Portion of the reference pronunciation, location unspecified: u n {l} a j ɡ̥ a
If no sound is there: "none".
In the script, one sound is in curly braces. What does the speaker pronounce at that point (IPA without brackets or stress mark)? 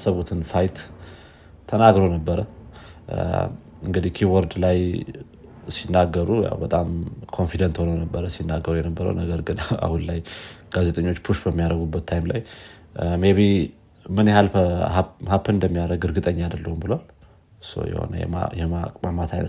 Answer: l